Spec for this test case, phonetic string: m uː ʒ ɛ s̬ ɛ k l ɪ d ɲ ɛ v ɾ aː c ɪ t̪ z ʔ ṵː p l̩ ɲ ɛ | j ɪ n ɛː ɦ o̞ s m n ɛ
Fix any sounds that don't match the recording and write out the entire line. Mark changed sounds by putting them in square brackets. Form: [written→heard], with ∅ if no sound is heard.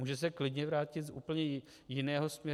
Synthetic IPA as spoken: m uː ʒ ɛ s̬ ɛ k l ɪ d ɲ ɛ v ɾ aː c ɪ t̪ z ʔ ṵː p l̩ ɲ ɛ | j ɪ n ɛː ɦ o̞ s m [n→ɲ] ɛ